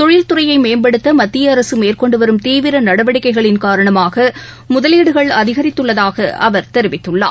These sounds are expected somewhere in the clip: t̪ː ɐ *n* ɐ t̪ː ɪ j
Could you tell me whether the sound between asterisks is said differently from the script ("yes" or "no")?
yes